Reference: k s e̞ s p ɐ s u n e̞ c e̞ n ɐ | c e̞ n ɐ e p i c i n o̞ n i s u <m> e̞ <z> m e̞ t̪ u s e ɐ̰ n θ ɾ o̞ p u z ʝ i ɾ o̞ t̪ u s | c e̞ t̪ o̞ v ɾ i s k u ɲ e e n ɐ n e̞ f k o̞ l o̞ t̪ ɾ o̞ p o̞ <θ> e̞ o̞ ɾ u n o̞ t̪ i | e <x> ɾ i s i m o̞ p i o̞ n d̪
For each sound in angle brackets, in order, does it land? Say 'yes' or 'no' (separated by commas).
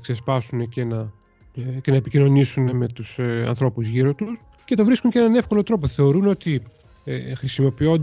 no, no, yes, yes